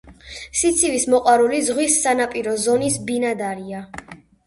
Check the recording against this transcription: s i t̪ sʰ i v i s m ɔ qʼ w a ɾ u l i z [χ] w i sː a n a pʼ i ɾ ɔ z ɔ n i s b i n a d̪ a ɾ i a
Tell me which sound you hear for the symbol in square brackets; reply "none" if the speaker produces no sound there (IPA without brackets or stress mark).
ʁ